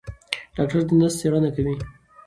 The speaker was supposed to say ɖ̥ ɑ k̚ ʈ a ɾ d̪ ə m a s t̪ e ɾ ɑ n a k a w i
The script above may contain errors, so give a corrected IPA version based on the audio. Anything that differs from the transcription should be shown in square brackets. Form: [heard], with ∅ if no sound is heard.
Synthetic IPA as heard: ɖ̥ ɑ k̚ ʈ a ɾ d̪ ə [n] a s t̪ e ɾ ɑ n a k a w i